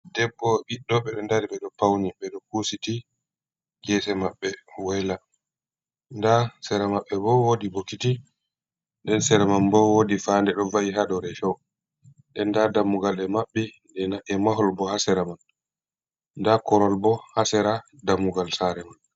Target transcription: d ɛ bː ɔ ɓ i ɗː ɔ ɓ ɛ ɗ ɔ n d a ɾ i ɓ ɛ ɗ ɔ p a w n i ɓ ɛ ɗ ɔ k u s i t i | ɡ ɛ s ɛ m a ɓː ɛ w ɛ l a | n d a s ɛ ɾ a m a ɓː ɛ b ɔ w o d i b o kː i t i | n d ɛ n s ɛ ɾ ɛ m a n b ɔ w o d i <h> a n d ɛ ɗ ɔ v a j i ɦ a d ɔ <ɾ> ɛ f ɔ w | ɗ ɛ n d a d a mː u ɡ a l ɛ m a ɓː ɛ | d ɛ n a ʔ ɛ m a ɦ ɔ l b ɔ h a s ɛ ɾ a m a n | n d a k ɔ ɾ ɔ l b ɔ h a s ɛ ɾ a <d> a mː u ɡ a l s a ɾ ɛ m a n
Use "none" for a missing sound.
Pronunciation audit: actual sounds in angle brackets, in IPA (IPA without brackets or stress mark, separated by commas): f, ɾ, d